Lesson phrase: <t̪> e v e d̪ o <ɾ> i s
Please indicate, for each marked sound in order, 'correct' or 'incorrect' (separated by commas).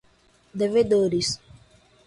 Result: incorrect, correct